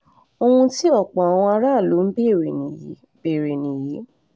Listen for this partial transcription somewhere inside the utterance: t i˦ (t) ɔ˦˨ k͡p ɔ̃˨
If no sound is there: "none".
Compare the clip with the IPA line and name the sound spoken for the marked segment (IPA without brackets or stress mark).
none